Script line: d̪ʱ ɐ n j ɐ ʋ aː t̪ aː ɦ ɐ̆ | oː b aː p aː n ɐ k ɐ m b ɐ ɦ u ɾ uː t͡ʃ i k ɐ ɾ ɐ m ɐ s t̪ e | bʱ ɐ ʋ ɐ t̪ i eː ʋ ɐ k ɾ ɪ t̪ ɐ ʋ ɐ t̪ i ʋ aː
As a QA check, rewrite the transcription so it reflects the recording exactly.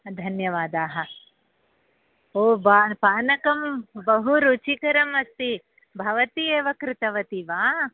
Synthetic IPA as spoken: d̪ʱ ɐ n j ɐ ʋ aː d̪ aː ɦ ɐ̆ | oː b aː p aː n ɐ k ɐ m b ɐ ɦ u ɾ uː t͡ʃ i k ɐ ɾ ɐ m ɐ s t̪ i | bʱ ɐ ʋ ɐ t̪ i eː ʋ ɐ k ɾ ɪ t̪ ɐ ʋ ɐ t̪ i ʋ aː